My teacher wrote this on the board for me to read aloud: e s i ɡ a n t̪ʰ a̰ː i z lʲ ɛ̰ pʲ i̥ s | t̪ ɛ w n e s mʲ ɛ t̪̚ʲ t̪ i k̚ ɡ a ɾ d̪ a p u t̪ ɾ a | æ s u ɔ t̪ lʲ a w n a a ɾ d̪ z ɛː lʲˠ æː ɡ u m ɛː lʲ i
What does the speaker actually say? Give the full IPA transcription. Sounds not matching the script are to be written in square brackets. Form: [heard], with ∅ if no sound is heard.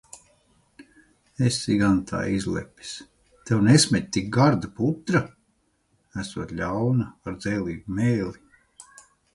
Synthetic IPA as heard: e s i ɡ a n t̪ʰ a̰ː i z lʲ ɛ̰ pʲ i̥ s | t̪ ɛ w n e s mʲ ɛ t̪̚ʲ t̪ i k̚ ɡ a ɾ d̪ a p u t̪ ɾ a | æ s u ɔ t̪ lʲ a w n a a ɾ d̪ z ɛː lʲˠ [iː] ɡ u m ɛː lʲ i

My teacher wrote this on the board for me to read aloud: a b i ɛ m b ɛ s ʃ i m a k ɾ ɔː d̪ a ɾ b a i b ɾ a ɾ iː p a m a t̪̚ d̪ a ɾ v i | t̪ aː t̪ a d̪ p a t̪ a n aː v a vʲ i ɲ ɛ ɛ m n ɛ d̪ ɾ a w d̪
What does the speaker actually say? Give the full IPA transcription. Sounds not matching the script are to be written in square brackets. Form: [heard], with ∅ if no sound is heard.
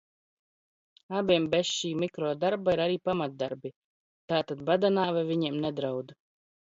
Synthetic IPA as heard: a b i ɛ m b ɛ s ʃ [iː] m [i] k ɾ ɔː d̪ a ɾ b a i [∅] ɾ a ɾ iː p a m a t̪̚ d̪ a ɾ [b] i | t̪ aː t̪ a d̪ [b] a [d̪] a n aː v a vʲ i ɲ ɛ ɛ m n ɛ d̪ ɾ a w d̪

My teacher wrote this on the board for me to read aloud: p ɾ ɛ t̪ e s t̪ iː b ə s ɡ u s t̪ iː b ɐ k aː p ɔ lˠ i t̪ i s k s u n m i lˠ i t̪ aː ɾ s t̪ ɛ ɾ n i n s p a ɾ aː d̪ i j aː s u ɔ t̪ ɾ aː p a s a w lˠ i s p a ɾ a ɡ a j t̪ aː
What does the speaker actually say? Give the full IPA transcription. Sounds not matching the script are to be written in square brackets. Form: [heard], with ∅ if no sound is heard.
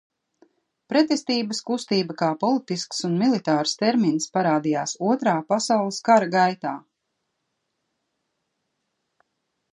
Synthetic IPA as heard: p ɾ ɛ t̪ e s t̪ iː b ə s [k] u s t̪ iː b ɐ k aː p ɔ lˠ i t̪ i s k s u n m i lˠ i t̪ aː ɾ s t̪ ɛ ɾ [m] i n s p a ɾ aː d̪ i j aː s u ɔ t̪ ɾ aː p a s a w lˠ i s [k] a ɾ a ɡ a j t̪ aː

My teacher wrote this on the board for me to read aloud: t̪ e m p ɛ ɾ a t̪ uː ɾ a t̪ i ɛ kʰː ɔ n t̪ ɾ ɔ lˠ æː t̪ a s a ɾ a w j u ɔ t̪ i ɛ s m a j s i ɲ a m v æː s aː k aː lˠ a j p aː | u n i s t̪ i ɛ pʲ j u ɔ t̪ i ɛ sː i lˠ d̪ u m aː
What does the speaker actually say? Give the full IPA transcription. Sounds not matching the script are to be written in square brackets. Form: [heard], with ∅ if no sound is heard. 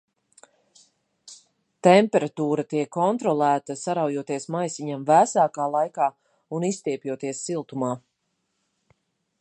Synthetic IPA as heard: t̪ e m p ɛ ɾ a t̪ uː ɾ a t̪ i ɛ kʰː ɔ n t̪ ɾ ɔ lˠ æː t̪ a s a ɾ a w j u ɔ t̪ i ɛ s m a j s i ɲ a m v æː s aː k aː lˠ a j [k] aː | u n i s t̪ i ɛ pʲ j u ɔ t̪ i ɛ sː i lˠ [t̪] u m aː

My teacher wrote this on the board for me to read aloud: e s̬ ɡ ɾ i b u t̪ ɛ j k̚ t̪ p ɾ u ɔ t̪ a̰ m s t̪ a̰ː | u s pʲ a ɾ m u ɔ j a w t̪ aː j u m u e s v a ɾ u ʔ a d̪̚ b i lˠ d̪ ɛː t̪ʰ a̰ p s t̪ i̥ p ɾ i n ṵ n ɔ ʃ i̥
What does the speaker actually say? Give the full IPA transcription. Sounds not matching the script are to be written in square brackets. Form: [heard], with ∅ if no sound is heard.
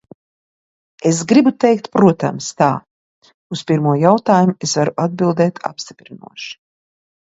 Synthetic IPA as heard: e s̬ ɡ ɾ i b u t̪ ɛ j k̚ t̪ p ɾ u ɔ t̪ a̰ m s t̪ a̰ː | u s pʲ [i] ɾ m u ɔ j a w t̪ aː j u m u e s v a ɾ u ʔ a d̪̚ b i lˠ d̪ ɛː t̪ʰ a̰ p s t̪ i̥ p ɾ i n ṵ [∅] ɔ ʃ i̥

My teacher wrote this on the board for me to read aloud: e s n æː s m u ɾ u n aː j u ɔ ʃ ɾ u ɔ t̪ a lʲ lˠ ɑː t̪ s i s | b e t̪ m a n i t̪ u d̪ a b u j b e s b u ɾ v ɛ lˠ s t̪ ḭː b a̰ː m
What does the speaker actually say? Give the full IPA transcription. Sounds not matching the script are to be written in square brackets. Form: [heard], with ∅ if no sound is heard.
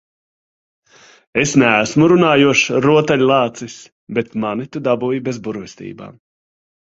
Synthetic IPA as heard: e s n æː s m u ɾ u n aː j u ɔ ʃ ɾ u ɔ t̪ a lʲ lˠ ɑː t̪ s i s | b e t̪ m a n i t̪ u d̪ a b u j b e [z] b u ɾ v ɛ [∅] s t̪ ḭː b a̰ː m

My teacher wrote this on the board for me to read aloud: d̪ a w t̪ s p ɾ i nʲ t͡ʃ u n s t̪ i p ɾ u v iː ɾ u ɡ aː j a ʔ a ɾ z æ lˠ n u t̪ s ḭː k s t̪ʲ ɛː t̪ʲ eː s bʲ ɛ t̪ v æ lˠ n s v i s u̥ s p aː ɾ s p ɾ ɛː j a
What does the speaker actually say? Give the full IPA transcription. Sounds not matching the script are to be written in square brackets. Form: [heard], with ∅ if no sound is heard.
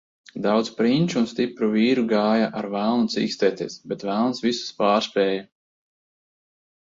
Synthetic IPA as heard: d̪ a w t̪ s p ɾ i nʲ t͡ʃ u n s t̪ i p ɾ u v iː ɾ u ɡ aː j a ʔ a ɾ [v] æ lˠ n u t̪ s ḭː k s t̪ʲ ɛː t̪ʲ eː s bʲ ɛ t̪ v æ lˠ n s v i s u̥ s p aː ɾ s p ɾ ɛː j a

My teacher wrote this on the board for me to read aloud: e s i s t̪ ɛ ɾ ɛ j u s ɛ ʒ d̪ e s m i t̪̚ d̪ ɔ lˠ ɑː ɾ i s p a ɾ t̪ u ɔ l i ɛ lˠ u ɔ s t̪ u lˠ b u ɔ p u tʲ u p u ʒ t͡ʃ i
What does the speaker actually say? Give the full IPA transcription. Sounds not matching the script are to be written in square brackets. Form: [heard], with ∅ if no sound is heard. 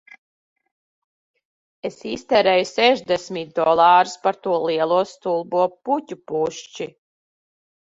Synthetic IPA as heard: e s i s t̪ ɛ ɾ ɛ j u s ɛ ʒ d̪ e s m i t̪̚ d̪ ɔ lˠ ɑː ɾ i s p a ɾ t̪ u ɔ l i ɛ lˠ u ɔ s t̪ u lˠ b u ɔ p u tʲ u p u [ʃ] t͡ʃ i

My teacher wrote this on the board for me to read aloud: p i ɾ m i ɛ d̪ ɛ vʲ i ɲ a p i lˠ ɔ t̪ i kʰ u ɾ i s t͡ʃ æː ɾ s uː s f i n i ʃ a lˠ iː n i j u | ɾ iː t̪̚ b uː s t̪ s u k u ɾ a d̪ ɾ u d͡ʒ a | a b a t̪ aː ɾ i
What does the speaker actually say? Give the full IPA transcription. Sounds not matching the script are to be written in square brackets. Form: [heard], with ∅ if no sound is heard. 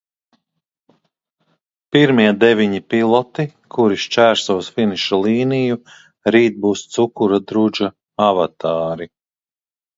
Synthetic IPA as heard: p i ɾ m i ɛ d̪ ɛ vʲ i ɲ [i] p i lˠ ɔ t̪ i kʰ u ɾ i [ʃ] t͡ʃ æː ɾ s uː s f i n i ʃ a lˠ iː n i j u | ɾ iː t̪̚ b uː s t̪ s u k u ɾ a d̪ ɾ u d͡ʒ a | a [v] a t̪ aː ɾ i

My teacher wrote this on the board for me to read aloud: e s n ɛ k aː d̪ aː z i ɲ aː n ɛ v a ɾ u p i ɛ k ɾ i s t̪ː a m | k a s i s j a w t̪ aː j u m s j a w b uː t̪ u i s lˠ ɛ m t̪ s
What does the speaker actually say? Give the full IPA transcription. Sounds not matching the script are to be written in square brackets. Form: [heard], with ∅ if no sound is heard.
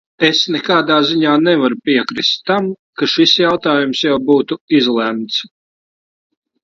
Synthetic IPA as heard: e s n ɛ k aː d̪ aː z i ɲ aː n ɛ v a ɾ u p i ɛ k ɾ i s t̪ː a m | k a [ʃ] i s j a w t̪ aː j u m s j a w b uː t̪ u i [z] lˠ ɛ m t̪ s

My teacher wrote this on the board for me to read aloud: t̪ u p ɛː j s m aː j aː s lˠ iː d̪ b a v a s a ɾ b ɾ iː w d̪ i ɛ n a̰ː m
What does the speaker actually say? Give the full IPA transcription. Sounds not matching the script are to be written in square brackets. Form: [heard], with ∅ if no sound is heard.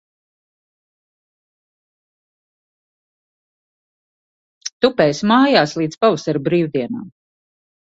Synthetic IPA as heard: t̪ u p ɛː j s m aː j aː s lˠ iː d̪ [p] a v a s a ɾ b ɾ iː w d̪ i ɛ n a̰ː m

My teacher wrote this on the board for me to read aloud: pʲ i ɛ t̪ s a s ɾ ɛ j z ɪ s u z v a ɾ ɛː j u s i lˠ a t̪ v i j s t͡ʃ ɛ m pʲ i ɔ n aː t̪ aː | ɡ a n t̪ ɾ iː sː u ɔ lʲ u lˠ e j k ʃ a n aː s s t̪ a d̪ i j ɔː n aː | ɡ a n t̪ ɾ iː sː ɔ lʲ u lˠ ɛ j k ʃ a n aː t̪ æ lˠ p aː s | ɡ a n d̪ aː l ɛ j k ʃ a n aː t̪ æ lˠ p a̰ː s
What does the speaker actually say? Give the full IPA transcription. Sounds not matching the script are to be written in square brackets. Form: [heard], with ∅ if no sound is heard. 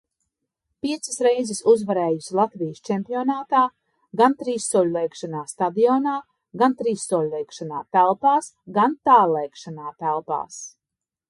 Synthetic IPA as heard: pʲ i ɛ t̪ s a s ɾ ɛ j z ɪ s u z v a ɾ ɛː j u s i lˠ a t̪ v i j s t͡ʃ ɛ m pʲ i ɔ n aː t̪ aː | ɡ a n t̪ ɾ iː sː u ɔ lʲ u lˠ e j k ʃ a n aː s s t̪ a d̪ i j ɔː n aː | ɡ a n t̪ ɾ iː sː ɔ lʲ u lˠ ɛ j k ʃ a n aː t̪ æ lˠ p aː s | ɡ a n [t̪] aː l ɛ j k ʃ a n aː t̪ æ lˠ p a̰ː s

